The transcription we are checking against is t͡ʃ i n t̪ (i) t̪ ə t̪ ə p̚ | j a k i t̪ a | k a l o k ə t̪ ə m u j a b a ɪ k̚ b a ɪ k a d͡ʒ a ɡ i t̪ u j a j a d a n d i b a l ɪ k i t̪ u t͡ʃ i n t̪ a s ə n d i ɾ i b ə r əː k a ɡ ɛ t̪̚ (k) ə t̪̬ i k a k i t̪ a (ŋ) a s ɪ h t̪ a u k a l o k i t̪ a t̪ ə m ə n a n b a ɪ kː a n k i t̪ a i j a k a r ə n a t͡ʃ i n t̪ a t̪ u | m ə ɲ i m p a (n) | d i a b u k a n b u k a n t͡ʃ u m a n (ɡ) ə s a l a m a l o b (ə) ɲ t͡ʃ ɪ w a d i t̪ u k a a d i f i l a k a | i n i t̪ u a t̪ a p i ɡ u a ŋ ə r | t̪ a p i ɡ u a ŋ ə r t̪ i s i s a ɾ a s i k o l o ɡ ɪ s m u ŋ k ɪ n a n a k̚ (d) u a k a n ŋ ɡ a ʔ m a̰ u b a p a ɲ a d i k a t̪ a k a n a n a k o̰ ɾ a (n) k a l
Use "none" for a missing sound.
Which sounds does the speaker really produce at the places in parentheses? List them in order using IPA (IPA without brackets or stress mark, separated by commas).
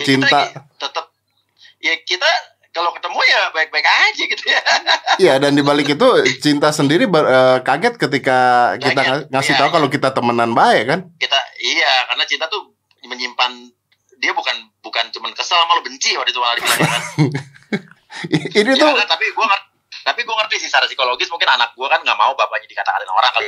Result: a, k, ŋ, n, k, ə, ɡ, ŋ